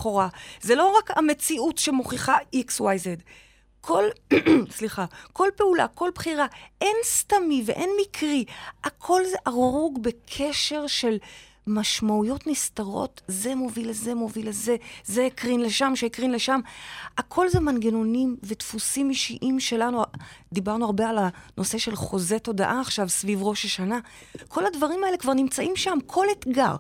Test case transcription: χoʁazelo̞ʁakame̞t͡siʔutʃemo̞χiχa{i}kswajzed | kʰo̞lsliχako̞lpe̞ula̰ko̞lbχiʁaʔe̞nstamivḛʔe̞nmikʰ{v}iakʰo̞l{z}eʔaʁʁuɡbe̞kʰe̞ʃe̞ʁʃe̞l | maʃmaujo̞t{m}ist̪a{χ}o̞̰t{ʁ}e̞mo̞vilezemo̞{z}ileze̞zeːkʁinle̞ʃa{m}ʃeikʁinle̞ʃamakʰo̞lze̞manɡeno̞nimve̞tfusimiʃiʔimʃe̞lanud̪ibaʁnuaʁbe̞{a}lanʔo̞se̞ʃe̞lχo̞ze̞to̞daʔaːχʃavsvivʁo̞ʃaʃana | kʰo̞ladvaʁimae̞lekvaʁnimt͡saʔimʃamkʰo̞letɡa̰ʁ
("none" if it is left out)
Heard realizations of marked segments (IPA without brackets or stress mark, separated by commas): i, ʁ, z, n, ʁ, z, v, m, a